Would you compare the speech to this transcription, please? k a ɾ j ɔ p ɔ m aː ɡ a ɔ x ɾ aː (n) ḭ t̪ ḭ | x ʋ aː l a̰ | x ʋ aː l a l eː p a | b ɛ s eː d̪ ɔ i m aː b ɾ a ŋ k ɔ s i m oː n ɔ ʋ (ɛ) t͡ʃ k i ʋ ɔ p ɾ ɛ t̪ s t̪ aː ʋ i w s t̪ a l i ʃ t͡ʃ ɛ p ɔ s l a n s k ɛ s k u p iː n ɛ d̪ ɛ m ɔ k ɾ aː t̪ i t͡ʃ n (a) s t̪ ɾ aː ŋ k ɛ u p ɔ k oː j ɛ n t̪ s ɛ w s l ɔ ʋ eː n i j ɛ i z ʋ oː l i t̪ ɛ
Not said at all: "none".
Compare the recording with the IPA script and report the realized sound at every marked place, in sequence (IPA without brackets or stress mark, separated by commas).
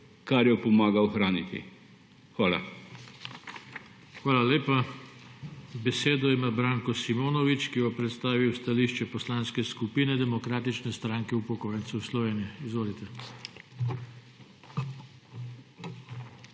n, i, ɛ